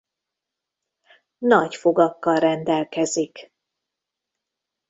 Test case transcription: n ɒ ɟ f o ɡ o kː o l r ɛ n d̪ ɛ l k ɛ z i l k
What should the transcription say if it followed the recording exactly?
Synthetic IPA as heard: n ɒ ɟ f o ɡ ɒ kː ɒ l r ɛ n d̪ ɛ l k ɛ z i k